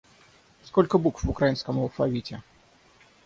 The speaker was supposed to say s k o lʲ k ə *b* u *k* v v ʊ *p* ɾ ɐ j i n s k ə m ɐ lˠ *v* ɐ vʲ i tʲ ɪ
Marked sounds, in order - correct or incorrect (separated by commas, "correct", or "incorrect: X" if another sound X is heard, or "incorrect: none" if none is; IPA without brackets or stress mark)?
correct, correct, incorrect: k, incorrect: f